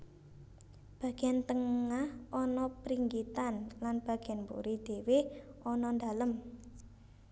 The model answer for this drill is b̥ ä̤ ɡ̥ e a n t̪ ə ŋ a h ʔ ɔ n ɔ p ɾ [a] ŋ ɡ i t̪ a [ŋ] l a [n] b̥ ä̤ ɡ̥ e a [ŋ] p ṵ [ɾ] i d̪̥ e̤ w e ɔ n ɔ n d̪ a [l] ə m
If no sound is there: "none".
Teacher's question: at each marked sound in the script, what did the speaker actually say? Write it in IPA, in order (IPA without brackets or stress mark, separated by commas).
i, n, n, n, ɾ, l